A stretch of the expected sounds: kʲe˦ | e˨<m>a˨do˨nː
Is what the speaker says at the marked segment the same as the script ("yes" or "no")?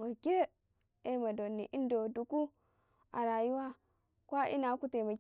yes